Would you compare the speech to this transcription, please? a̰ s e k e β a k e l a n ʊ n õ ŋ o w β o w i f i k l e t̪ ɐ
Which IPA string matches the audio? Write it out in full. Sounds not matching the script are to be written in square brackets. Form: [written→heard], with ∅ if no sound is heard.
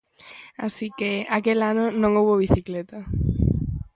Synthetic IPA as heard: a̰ s [e→i] k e [β→∅] a k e l a n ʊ n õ ŋ o w β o [w→β] i [f→θ] i k l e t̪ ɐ